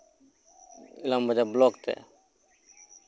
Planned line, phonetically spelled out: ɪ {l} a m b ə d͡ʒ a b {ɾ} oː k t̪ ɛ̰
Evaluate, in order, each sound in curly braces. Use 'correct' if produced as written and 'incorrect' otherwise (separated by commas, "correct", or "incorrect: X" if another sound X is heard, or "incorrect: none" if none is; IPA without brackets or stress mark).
correct, incorrect: l